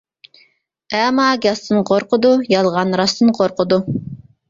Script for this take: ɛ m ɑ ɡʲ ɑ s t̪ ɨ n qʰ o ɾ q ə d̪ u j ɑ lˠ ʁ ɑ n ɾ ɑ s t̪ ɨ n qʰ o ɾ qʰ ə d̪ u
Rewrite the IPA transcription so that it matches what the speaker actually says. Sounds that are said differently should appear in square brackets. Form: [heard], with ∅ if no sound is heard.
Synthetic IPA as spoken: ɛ m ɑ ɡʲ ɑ s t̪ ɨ n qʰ o ɾ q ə d̪ u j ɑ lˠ ʁ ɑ n ɾ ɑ s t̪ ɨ n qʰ o ɾ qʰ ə d̪ u

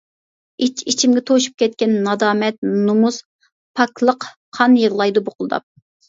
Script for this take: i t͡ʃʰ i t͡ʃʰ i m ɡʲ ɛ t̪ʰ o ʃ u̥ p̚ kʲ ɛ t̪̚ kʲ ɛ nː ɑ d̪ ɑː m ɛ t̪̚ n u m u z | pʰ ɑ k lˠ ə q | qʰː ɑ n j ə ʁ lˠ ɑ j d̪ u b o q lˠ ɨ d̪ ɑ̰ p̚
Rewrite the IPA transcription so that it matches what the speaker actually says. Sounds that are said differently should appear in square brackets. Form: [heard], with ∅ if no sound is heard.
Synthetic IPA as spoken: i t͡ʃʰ i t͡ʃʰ i m ɡʲ ɛ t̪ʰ o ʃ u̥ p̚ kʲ ɛ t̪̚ kʲ ɛ nː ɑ d̪ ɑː m ɛ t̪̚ n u m u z | pʰ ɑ k lˠ ə q | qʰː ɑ n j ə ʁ lˠ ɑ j d̪ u b o q lˠ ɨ d̪ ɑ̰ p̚

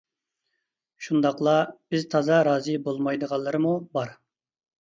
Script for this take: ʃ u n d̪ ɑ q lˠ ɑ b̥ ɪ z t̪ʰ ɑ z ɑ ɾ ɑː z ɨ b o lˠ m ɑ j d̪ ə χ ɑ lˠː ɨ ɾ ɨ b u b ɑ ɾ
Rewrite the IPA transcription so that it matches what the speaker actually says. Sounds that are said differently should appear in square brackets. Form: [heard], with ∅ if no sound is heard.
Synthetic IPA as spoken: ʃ u n d̪ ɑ q lˠ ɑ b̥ ɪ z t̪ʰ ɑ z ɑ ɾ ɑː z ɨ b o lˠ m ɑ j d̪ ə [ʁ] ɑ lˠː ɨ ɾ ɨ [m] u b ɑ ɾ

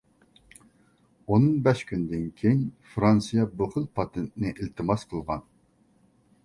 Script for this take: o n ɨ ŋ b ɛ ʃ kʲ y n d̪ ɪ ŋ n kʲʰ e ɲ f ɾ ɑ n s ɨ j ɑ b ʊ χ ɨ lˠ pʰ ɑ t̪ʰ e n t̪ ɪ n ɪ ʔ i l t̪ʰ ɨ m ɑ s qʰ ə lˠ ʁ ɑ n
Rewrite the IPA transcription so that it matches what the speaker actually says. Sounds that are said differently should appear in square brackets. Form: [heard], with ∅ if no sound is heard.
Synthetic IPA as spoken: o n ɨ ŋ b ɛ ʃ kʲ y n d̪ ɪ [∅] n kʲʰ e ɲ f ɾ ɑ n s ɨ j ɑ b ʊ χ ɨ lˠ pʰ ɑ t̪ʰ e n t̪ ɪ n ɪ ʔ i l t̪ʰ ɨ m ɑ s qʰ ə lˠ ʁ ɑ n

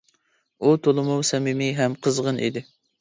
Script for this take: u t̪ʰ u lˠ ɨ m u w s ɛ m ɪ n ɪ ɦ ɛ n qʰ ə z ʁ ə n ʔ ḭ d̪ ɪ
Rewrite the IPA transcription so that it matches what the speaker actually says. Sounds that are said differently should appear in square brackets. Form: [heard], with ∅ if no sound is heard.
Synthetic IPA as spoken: u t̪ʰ [o] lˠ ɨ m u w s ɛ m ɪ [m] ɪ ɦ ɛ [m] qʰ ə z ʁ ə n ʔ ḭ d̪ ɪ

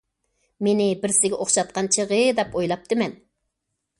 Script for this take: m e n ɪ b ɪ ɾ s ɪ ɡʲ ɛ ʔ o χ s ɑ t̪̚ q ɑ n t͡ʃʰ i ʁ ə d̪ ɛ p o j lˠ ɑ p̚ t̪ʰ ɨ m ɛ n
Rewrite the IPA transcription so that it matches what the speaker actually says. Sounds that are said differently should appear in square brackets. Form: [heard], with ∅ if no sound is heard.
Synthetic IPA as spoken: m e n ɪ b ɪ ɾ s ɪ ɡʲ ɛ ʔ o χ [ʃ] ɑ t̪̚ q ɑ n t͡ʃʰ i ʁ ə d̪ ɛ p o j lˠ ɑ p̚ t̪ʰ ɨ m ɛ n

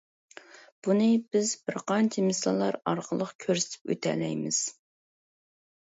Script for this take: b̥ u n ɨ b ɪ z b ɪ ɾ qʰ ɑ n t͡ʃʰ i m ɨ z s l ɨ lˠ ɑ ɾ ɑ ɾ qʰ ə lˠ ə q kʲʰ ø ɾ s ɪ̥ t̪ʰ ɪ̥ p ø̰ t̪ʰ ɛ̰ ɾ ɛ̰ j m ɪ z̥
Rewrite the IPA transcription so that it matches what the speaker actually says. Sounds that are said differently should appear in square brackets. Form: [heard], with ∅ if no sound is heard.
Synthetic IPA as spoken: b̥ u n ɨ b ɪ z b ɪ ɾ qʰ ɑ n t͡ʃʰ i m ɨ [∅] s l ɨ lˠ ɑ ɾ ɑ ɾ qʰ ə lˠ ə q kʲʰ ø ɾ s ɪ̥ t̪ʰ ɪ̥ p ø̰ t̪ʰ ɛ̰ [l] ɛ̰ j m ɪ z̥

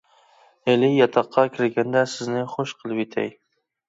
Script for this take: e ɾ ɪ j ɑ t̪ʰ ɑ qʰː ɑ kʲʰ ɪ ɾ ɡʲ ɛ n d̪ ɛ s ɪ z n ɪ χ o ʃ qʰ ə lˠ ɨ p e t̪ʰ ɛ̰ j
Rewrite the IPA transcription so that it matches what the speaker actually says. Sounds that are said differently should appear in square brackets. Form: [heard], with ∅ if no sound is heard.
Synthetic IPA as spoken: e [l] ɪ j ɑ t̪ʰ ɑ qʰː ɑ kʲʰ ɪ ɾ ɡʲ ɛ n d̪ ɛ s ɪ z n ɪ χ o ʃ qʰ ə lˠ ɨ p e t̪ʰ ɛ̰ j

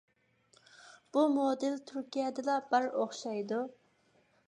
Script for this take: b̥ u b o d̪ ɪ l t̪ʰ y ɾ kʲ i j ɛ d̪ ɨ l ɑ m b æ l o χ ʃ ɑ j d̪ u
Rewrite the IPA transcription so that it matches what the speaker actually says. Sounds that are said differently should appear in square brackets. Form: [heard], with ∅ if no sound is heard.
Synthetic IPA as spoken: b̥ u [m] o d̪ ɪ l t̪ʰ y ɾ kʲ i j ɛ d̪ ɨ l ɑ [∅] b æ [ɾ] o χ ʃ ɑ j d̪ u

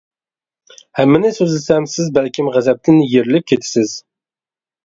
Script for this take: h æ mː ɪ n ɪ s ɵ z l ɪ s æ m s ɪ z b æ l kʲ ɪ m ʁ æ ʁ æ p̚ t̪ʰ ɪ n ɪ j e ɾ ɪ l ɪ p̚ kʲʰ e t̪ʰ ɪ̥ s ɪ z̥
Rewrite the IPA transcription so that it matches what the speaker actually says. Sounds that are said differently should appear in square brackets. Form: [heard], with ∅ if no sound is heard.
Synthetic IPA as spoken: h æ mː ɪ n ɪ s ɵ z l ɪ s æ m s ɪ z b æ l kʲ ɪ m ʁ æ [z] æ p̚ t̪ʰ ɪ n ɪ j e ɾ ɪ l ɪ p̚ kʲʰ e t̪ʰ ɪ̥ s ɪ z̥

